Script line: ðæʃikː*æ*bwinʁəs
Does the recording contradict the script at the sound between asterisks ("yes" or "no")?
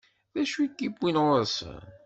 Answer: yes